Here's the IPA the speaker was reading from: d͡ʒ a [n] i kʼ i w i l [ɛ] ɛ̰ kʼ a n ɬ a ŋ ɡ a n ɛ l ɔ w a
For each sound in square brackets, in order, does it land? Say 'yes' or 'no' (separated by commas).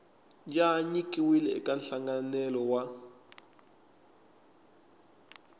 no, yes